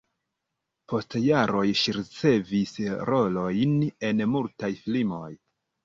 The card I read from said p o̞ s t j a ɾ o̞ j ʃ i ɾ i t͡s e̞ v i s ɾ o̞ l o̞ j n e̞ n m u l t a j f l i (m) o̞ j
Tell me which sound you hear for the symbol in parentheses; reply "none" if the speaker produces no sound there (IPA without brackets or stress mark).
m